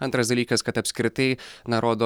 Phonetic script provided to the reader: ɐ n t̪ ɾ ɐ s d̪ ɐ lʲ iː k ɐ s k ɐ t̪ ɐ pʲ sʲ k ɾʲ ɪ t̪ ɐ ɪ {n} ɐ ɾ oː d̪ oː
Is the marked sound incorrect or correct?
correct